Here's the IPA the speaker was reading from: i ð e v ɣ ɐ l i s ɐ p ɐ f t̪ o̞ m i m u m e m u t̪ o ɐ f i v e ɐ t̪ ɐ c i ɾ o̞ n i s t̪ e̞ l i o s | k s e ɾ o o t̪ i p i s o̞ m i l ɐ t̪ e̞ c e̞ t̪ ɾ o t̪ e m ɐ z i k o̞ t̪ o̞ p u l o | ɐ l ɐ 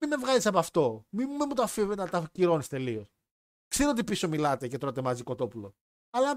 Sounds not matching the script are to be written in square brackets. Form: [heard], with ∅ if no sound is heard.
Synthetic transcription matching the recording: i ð e v ɣ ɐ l i s ɐ p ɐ f t̪ o̞ m i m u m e m u t̪ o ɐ f i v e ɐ t̪ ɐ c i ɾ o̞ n i s t̪ e̞ l i o s | k s e ɾ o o t̪ i p i s o̞ m i l ɐ t̪ e̞ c e̞ t̪ ɾ o t̪ e m ɐ z i k o̞ t̪ o̞ p u l o | ɐ l ɐ